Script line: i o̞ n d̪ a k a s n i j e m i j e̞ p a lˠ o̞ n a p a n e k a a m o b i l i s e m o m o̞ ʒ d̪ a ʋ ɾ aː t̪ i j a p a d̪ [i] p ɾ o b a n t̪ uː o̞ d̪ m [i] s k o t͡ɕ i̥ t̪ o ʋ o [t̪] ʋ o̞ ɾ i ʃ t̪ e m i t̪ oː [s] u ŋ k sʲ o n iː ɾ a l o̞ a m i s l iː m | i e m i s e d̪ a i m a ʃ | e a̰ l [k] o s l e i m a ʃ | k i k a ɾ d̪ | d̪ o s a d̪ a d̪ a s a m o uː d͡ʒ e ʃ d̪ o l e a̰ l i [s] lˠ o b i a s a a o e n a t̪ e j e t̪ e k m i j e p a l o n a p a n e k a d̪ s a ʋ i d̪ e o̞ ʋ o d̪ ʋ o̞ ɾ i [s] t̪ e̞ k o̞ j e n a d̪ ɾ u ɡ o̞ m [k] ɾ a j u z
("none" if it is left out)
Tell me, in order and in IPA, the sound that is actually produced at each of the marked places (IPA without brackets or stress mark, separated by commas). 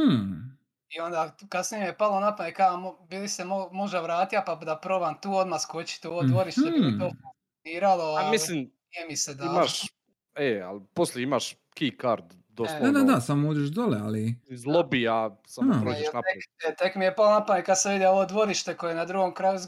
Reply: a, a, d̪, f, p, z, ʃ, k